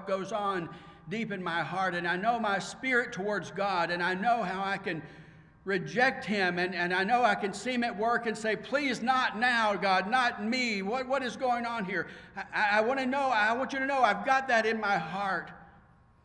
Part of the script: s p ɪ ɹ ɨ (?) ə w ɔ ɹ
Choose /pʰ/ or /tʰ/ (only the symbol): tʰ